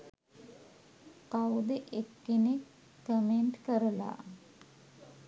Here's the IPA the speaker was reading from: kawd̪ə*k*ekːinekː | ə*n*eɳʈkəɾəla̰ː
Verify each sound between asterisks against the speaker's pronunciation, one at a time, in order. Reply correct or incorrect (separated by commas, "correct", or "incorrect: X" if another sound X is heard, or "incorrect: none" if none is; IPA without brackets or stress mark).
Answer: incorrect: ʔ, incorrect: m